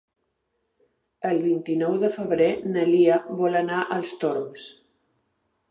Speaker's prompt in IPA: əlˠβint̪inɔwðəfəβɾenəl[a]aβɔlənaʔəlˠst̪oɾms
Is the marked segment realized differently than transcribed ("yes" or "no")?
yes